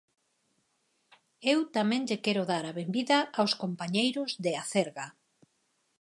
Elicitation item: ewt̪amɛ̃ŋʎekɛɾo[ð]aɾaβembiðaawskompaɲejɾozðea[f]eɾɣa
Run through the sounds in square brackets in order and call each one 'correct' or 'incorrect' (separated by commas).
correct, incorrect